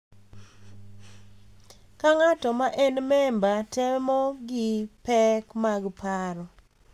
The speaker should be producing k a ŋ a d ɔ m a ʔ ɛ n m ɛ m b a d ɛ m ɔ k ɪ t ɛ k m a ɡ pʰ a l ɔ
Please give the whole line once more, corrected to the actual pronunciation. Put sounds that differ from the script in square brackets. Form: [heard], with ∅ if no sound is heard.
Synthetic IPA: k a ŋ a [t] ɔ m a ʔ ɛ n m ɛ m b a [t] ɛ m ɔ [ɡ] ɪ [p] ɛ k m a ɡ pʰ a [ɾ] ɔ